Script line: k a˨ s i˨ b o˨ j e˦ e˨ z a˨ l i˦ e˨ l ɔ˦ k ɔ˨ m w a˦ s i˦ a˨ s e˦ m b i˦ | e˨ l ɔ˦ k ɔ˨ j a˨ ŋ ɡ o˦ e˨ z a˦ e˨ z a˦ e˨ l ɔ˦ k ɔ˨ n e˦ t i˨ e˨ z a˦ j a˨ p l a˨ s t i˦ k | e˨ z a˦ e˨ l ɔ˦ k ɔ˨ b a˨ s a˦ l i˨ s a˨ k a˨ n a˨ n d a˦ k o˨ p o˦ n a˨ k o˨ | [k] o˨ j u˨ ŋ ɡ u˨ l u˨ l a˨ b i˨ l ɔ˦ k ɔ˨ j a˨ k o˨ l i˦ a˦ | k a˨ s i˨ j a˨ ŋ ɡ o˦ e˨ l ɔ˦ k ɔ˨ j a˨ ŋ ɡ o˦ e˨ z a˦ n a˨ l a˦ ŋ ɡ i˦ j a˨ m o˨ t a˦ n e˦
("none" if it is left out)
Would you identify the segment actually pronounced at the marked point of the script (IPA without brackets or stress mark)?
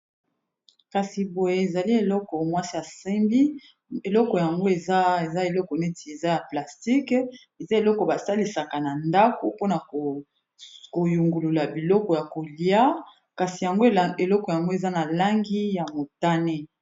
k